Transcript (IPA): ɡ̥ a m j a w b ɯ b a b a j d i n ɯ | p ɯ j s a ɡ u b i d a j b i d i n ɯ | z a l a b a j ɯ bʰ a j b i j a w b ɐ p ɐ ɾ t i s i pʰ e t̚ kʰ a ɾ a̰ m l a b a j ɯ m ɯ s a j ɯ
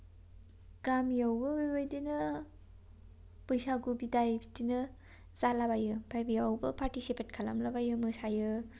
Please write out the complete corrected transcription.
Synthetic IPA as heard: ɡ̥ a m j a w b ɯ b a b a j d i n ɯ | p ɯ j s a ɡ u b i d a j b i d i n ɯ | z a l a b a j ɯ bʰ a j b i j a w b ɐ p a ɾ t i s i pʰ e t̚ kʰ a l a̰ m l a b a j ɯ m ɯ s a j ɯ

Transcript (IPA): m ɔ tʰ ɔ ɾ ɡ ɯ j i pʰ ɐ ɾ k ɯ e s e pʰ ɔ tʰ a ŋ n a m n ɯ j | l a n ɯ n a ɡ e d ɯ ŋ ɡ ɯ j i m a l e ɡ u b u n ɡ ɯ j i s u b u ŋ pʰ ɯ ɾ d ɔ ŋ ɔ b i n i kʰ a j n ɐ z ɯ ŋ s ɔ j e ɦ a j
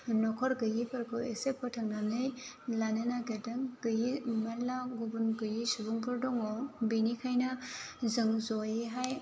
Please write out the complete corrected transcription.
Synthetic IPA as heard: n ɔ kʰ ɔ ɾ ɡ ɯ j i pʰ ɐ ɾ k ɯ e s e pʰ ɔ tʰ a ŋ n a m n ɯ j | l a n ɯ n a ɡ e d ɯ ŋ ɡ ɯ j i m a l a ɡ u b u n ɡ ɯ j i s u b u ŋ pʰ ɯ ɾ d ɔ ŋ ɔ b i n i kʰ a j n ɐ z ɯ ŋ z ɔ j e ɦ a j

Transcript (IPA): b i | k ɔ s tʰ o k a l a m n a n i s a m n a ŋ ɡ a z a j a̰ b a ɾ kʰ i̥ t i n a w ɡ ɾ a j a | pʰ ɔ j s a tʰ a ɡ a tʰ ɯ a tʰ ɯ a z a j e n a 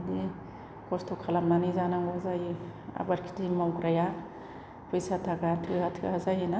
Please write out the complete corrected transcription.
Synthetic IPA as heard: d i | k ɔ s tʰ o kʰ a l a m n a n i z a n a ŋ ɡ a z a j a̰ b a ɾ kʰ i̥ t i m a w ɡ ɾ a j a | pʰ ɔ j s a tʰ a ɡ a tʰ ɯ a tʰ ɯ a z a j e n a

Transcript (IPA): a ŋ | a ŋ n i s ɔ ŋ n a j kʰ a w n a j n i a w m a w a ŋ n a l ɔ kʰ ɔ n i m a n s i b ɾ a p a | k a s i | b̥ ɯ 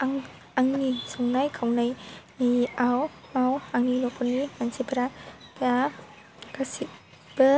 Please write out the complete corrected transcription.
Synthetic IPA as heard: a ŋ | a ŋ n i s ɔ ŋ n a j kʰ a w n a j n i a w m a w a ŋ n i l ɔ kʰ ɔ n i m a n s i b ɾ a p a | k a s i | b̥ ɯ

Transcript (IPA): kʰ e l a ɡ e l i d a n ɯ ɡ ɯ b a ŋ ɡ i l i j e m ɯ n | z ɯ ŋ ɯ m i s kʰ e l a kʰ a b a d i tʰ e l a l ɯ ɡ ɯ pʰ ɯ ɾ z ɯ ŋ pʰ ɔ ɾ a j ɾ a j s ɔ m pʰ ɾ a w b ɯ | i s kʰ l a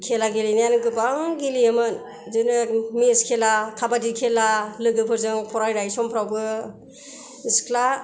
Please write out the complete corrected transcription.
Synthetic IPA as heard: kʰ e l a ɡ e l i n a n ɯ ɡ ɯ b a ŋ ɡ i l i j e m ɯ n | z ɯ n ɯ m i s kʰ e l a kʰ a b a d i kʰ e l a l ɯ ɡ ɯ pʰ ɯ ɾ z ɯ ŋ pʰ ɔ ɾ a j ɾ a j s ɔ m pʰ ɾ a w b ɯ | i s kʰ l a

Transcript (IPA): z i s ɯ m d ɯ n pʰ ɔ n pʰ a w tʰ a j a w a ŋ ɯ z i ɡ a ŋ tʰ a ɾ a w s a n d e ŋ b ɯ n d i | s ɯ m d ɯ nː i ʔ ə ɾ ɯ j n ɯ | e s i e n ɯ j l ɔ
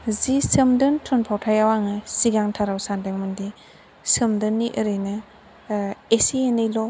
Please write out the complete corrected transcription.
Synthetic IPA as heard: z i s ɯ m d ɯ n tʰ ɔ n pʰ a w tʰ a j a w a ŋ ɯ s i ɡ a ŋ tʰ a ɾ a w s a n d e ŋ m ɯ n d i | s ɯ m d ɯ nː i ʔ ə ɾ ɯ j n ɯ | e s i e n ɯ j l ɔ

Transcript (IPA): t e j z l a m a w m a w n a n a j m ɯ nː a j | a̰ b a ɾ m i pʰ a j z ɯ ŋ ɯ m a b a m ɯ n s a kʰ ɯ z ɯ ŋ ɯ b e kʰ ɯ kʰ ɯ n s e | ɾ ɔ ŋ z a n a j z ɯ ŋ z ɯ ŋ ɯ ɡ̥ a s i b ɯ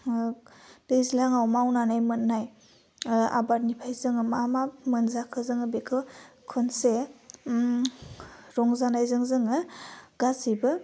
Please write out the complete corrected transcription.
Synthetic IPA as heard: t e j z l a ŋ a w m a w n a n a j m ɯ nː a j | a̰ b a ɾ n i pʰ a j z ɯ ŋ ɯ m a m a m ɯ n z a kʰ ɯ z ɯ ŋ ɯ b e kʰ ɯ kʰ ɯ n s e | ɾ ɔ ŋ z a n a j z ɯ ŋ z ɯ ŋ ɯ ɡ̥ a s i b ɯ

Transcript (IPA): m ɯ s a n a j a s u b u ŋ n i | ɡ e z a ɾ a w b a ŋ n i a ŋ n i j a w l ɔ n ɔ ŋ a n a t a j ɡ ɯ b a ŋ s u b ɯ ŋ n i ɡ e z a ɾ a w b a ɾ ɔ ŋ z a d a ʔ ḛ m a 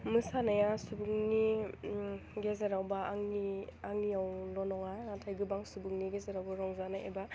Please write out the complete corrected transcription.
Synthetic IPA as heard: m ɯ s a n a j a s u b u ŋ n i | ɡ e z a ɾ a w b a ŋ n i a ŋ n i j a w l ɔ n ɔ ŋ a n a tʰ a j ɡ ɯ b a ŋ s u b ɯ ŋ n i ɡ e z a ɾ a w b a ɾ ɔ ŋ z a n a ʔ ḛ b a

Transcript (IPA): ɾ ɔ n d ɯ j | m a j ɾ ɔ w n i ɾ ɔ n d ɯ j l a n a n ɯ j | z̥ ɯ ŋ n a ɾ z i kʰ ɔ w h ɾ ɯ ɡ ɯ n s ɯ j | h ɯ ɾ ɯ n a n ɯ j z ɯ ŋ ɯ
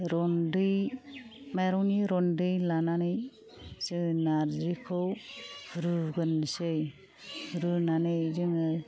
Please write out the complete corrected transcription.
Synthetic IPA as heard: ɾ ɔ n d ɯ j | m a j ɾ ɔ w n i ɾ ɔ n d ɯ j l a n a n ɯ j | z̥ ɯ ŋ n a ɾ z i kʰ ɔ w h ɾ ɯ ɡ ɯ n s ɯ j | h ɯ ɾ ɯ n a n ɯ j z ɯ ŋ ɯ

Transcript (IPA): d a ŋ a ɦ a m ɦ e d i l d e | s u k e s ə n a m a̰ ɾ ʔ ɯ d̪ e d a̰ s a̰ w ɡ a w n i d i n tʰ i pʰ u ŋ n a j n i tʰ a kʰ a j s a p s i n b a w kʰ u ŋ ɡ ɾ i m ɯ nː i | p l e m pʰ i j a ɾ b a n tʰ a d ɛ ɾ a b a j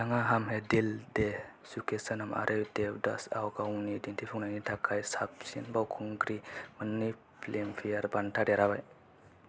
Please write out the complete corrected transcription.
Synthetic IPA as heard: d a ŋ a ɦ a m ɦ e d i l d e | s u k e s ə n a m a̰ ɾ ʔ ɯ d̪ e d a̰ s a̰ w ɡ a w n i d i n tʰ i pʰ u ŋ n a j n i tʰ a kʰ a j s a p s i n b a w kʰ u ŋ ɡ ɾ i m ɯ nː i | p l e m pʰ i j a ɾ b a n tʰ a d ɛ ɾ a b a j

